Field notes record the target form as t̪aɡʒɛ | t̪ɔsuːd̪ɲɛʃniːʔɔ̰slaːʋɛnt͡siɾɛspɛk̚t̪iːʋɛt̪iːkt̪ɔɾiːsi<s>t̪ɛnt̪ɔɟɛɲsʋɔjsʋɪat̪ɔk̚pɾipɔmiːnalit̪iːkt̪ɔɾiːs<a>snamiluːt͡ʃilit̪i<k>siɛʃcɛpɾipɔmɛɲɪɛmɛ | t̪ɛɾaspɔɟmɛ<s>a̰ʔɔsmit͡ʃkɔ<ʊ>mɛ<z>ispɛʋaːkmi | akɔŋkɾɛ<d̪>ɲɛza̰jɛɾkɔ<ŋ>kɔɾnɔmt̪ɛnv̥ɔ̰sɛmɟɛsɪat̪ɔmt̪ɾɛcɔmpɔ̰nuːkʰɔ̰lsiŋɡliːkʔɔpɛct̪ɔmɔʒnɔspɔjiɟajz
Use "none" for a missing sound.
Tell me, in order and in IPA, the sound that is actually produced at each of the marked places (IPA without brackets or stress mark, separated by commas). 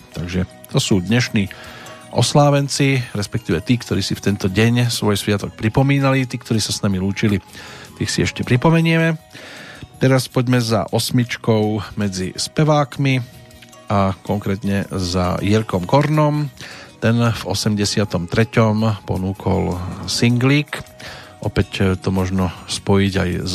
f, a, x, z, ʊ, d͡z, t̪, m